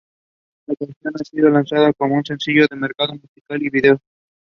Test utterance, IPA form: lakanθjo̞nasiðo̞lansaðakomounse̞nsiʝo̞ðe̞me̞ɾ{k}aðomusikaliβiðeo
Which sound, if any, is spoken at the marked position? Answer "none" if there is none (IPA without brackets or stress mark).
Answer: k